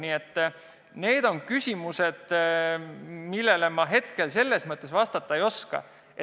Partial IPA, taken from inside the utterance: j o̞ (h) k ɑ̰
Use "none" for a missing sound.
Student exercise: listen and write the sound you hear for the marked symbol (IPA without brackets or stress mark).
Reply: s